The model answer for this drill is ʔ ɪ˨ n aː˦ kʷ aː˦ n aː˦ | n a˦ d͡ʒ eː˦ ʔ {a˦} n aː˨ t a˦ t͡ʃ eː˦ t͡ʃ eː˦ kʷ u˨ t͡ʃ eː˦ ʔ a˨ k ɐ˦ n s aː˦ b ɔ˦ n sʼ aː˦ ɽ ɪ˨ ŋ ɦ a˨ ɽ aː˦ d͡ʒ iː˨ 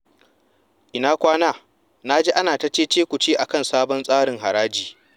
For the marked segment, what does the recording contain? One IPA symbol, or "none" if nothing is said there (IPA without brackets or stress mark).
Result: a˦